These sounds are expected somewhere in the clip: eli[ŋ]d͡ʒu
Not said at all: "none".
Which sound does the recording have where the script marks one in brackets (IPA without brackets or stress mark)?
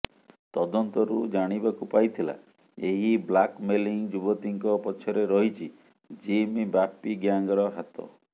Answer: ŋ